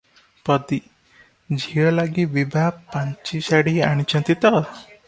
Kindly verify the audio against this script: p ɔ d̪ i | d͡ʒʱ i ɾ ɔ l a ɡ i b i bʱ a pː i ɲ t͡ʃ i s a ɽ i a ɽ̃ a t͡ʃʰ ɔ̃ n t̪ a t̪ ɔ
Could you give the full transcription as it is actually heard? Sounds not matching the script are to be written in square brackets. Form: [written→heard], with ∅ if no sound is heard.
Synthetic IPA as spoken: p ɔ d̪ i | d͡ʒʱ i [ɾ→ɭ] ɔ l a ɡ i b i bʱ a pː [i→a] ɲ t͡ʃ i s a ɽ i a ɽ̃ [a→i] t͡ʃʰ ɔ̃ n t̪ [a→i] t̪ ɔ